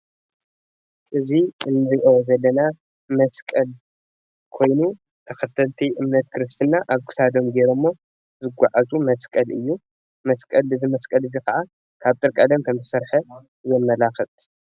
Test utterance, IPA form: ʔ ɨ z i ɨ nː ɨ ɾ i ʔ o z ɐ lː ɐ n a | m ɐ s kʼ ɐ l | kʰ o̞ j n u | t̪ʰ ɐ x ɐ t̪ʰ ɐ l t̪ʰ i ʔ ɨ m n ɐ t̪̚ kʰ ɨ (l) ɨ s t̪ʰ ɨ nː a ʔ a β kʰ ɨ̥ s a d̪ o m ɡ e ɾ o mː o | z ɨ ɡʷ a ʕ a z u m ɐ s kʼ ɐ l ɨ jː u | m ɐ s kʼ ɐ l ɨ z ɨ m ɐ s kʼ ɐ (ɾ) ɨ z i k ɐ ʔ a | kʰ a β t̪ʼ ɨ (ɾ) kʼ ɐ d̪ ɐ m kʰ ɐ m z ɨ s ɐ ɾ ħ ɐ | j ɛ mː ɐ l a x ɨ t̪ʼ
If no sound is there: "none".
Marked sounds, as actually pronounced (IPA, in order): ɾ, l, ɾ

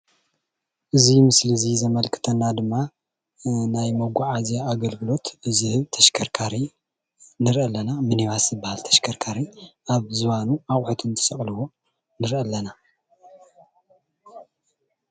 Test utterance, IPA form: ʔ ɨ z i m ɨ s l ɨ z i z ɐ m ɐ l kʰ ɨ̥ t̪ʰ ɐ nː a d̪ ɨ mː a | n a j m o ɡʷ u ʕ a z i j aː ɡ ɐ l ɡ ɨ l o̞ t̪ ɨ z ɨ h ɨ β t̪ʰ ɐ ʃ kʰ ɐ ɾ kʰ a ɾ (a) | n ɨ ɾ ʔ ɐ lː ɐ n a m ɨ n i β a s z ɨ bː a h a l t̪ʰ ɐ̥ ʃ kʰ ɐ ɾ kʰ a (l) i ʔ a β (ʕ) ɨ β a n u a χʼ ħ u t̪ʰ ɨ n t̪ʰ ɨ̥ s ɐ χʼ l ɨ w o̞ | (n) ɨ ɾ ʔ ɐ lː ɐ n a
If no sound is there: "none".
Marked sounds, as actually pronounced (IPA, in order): i, ɾ, z, n

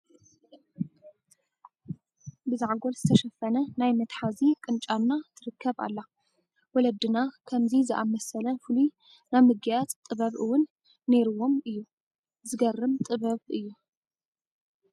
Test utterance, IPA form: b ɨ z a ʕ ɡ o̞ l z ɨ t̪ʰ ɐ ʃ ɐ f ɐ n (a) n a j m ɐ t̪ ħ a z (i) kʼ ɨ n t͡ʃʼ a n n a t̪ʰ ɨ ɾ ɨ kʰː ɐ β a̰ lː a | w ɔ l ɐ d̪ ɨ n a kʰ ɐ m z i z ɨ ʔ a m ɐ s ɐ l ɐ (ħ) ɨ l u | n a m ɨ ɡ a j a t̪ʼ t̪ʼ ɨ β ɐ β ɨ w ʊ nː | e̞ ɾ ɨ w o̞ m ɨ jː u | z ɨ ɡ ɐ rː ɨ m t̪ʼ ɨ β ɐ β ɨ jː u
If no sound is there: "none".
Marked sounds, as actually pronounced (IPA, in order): ɐ, i, f

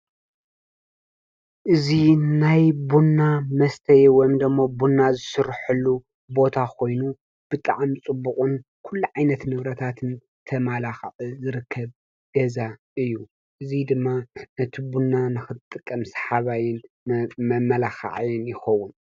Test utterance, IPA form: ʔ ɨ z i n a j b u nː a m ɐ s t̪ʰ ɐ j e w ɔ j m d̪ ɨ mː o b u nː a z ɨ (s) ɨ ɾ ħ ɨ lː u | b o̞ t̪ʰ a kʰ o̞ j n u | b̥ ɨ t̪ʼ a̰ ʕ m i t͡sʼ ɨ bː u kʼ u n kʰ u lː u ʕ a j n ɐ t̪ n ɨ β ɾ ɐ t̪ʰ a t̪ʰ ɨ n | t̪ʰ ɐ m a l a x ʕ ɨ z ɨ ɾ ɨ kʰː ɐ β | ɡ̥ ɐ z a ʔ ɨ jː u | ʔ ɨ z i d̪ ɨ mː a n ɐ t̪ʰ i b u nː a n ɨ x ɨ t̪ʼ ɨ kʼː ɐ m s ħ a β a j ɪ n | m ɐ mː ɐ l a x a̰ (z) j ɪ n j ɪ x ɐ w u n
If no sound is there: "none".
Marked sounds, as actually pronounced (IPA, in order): s, ʕ

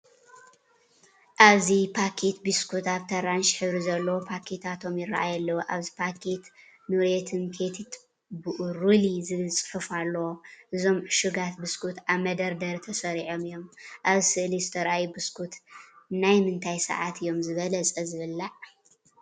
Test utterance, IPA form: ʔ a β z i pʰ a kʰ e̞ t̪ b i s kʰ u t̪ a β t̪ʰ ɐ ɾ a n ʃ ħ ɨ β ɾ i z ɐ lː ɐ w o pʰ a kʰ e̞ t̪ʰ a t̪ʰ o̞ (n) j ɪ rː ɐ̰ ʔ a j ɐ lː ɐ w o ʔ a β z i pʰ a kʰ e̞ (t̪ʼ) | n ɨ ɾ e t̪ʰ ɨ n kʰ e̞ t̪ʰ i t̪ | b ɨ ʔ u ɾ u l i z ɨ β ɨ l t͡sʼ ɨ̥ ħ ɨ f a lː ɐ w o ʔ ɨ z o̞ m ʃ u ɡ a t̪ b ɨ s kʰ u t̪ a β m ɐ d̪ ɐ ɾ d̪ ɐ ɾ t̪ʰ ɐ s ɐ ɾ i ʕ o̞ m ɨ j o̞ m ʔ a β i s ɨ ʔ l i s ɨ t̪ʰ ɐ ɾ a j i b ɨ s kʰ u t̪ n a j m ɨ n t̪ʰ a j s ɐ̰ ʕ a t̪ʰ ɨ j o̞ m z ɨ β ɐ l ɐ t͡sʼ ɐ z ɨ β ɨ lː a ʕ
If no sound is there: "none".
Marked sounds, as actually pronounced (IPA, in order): m, t̪

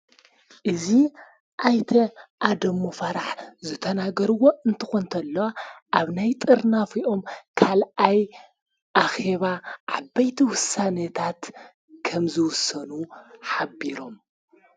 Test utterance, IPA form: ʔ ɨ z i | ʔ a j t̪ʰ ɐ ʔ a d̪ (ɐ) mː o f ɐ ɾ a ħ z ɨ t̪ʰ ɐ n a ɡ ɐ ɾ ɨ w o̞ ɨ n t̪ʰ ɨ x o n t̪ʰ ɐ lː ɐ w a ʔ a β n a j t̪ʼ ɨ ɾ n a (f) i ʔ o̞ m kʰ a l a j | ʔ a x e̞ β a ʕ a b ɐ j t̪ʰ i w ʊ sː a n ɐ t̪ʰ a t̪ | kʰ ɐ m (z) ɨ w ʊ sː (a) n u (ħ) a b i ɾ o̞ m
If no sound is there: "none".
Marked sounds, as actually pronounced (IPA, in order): ɐ, f, z, ɐ, ħ

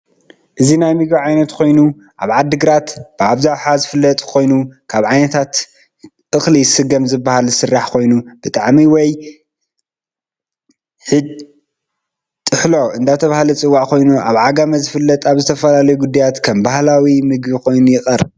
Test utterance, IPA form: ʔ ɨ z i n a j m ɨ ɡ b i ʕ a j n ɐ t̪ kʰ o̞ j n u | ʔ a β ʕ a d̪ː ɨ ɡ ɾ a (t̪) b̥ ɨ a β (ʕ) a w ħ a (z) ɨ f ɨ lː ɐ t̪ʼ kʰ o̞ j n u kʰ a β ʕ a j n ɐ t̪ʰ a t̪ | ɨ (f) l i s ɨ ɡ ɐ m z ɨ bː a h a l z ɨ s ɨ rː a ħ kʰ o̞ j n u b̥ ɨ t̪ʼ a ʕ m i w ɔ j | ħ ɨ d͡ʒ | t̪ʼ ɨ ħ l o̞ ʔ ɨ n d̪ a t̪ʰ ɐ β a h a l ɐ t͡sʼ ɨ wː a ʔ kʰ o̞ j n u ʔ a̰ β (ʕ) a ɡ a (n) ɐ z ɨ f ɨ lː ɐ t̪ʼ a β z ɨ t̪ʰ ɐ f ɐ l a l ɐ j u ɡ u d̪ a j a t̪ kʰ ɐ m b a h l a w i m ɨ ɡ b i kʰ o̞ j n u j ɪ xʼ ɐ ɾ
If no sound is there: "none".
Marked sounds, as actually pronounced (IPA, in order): t̪, z, z, x, ʕ, m

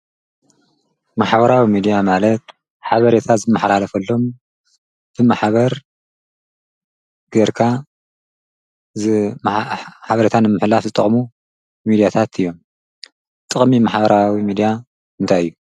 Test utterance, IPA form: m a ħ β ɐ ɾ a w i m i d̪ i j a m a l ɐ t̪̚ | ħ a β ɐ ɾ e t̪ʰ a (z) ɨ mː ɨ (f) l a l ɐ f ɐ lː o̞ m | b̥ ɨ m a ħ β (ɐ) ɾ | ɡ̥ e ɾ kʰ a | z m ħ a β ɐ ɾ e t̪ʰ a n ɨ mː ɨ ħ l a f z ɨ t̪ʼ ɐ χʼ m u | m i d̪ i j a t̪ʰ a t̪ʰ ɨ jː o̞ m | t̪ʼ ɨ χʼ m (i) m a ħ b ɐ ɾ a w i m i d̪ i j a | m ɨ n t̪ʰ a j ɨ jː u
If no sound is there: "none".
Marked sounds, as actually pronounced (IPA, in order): z, ħ, ɐ, i

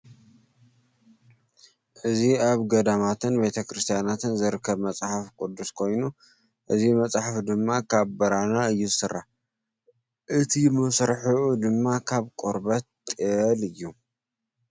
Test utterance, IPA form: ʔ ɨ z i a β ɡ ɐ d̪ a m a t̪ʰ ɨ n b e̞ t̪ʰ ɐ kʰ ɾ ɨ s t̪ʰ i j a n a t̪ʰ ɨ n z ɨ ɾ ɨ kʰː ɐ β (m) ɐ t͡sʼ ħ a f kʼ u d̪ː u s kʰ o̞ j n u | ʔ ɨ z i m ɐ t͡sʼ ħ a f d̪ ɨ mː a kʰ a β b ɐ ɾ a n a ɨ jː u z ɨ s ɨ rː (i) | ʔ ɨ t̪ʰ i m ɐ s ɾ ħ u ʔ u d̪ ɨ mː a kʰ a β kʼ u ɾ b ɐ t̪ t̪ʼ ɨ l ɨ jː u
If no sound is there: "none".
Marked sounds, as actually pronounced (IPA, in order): m, a

